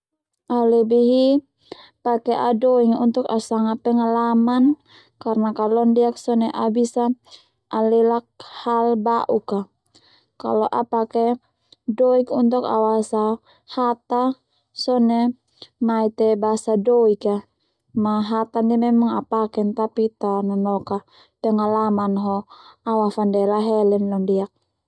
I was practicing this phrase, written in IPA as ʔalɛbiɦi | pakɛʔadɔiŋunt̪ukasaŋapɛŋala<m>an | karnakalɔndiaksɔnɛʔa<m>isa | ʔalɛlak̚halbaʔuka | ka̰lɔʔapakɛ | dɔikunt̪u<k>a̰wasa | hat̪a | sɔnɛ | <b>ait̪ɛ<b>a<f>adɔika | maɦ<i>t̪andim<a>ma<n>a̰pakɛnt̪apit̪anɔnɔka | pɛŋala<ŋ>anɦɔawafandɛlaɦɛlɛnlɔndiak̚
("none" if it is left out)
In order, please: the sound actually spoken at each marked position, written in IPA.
m, b, k, m, b, s, a, ɛ, ŋ, m

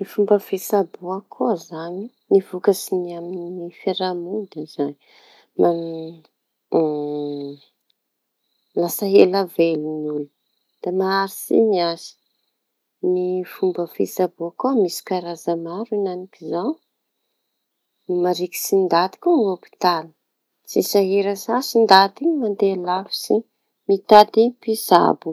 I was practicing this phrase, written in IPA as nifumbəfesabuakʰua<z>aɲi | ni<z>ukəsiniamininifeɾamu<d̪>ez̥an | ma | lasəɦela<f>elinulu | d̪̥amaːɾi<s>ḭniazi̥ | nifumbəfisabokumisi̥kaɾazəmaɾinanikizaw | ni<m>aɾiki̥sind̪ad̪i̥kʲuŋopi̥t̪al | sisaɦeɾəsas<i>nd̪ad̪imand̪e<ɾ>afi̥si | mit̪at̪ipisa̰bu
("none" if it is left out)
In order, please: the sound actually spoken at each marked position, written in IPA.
z, v, d̪, v, s, m, i, l

